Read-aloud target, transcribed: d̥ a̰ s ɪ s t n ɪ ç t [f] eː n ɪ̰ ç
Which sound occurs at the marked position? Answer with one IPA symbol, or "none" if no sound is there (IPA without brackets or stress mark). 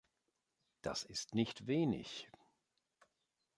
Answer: v